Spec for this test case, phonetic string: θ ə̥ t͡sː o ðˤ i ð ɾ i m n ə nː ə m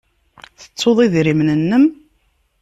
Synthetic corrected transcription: θ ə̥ t͡sː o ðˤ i ð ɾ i m n ə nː ə m